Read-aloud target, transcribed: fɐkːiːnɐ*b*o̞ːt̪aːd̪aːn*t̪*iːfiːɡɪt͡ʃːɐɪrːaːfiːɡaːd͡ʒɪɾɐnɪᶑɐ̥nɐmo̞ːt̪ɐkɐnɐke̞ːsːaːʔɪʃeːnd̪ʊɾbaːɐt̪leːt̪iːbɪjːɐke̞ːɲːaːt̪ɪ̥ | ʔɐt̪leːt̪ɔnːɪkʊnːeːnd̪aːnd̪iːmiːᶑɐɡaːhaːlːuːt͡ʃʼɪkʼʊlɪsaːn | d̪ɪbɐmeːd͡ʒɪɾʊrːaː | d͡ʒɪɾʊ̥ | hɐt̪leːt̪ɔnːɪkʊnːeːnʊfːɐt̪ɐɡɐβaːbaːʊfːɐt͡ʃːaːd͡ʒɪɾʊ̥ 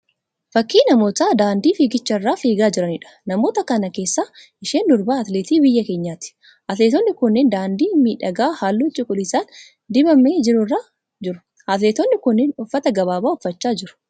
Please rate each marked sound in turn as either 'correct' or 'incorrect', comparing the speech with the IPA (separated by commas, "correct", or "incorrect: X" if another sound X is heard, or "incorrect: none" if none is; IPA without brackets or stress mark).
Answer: incorrect: m, incorrect: d̪